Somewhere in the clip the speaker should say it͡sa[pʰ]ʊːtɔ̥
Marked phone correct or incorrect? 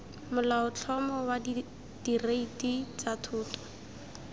incorrect